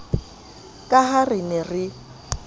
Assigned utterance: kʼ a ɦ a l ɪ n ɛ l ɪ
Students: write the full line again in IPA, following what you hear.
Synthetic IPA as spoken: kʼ a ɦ a r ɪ n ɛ r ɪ